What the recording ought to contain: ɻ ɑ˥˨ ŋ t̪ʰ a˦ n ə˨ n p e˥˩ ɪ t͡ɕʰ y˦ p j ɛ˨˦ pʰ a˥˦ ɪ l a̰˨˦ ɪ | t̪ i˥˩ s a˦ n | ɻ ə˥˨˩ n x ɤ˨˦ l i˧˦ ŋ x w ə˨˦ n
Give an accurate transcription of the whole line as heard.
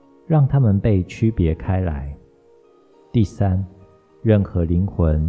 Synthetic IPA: ɻ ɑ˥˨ ŋ t̪ʰ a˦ m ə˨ n p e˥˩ ɪ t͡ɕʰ y˦ p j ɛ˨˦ kʰ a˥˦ ɪ l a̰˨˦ ɪ | t̪ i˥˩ s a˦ n | ɻ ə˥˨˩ n x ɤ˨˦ l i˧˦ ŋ x w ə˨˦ n